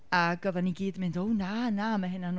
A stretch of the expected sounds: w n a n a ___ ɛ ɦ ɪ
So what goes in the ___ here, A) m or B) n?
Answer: A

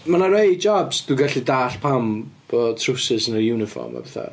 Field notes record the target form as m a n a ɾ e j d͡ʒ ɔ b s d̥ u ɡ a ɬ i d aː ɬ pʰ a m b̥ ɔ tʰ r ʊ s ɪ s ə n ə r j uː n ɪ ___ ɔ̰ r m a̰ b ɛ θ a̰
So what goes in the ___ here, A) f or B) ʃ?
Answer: A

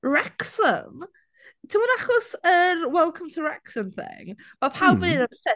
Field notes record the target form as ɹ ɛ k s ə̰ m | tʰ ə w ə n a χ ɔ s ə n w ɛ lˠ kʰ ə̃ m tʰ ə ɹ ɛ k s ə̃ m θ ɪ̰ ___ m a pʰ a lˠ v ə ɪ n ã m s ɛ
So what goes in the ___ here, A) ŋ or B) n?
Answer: A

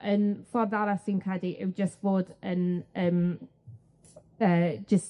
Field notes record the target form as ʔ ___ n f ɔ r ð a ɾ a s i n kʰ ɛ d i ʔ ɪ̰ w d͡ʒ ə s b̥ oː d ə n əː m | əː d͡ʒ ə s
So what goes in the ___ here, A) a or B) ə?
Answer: B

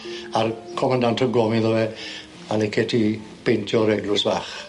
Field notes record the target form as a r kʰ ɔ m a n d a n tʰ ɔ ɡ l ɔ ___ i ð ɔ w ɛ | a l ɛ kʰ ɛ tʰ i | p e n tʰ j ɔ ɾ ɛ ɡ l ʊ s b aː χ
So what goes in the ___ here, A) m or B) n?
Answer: A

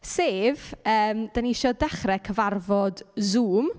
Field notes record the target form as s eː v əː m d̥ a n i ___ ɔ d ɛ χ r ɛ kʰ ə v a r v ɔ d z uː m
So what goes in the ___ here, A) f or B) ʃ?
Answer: B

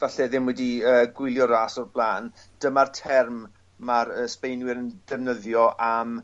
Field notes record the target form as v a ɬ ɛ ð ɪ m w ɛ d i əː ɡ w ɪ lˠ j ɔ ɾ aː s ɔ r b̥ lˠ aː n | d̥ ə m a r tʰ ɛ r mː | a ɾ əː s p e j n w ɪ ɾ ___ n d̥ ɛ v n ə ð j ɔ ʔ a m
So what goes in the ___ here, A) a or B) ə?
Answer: B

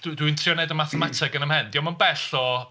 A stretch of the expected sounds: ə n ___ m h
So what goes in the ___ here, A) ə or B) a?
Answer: A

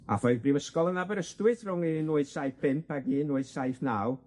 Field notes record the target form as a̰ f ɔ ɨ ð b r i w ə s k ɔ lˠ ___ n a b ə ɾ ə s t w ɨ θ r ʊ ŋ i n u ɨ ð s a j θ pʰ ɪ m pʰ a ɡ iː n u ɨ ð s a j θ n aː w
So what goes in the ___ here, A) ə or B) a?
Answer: A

